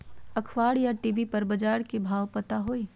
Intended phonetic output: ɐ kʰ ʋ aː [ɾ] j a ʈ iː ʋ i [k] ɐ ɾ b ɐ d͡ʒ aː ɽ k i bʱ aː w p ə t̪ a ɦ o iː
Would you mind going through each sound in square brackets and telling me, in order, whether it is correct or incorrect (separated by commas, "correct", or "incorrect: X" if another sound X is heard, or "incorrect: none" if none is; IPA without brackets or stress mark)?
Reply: incorrect: ɽ, incorrect: p